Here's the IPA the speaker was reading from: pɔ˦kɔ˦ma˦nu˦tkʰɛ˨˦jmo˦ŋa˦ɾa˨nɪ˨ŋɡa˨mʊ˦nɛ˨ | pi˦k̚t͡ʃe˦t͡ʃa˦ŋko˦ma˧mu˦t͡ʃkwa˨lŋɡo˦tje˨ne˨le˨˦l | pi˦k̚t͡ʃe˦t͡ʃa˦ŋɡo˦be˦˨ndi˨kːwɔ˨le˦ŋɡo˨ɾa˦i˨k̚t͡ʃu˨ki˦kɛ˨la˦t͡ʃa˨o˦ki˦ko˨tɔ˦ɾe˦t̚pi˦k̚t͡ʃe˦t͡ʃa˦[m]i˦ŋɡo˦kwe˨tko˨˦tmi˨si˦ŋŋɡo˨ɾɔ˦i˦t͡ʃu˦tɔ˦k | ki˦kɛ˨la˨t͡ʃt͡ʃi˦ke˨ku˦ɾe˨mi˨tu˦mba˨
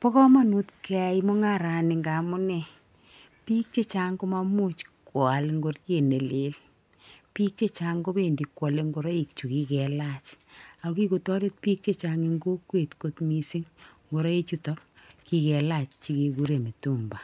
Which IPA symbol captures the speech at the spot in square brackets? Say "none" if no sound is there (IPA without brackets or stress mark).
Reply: ŋ